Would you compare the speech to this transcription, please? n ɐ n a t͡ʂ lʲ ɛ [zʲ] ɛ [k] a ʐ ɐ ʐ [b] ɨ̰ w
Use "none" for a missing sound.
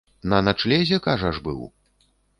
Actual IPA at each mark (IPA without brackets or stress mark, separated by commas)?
zʲ, k, b